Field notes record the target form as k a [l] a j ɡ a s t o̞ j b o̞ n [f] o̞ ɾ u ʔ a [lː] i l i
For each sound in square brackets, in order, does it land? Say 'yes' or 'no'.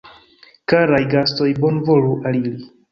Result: no, no, no

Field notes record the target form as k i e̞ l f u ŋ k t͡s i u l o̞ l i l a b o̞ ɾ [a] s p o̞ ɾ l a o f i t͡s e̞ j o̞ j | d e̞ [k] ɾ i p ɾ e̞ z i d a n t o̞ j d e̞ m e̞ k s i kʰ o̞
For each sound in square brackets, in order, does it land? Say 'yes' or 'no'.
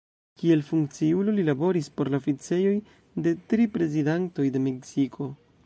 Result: no, no

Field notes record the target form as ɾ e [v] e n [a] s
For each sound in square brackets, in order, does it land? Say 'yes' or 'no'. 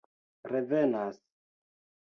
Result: yes, yes

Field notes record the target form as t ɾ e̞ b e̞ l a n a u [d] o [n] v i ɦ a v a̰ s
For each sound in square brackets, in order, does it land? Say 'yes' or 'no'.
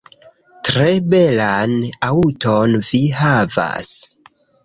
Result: no, yes

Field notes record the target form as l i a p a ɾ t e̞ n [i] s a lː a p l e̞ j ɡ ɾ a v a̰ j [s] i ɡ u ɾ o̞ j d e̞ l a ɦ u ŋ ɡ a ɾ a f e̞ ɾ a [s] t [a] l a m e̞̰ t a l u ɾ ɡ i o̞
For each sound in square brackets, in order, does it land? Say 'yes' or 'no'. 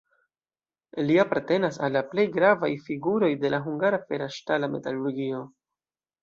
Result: no, no, no, yes

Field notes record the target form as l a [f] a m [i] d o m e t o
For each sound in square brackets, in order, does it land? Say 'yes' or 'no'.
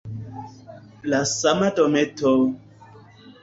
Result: no, no

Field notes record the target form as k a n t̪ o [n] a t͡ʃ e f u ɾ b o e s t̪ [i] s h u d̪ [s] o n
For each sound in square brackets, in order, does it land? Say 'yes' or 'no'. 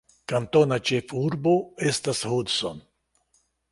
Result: yes, no, yes

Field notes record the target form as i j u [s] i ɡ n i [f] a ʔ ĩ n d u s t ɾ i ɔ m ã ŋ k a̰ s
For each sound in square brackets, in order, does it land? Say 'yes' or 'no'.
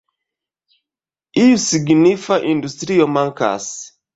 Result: yes, yes

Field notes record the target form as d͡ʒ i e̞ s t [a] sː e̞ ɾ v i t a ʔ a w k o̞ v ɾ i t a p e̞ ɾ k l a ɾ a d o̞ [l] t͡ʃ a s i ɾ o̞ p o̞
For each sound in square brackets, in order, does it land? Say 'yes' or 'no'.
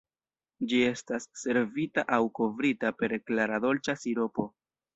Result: yes, yes

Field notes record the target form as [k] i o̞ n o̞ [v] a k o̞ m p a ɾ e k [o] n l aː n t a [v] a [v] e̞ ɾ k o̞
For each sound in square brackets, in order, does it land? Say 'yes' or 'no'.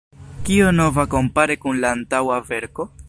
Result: yes, yes, no, no, yes

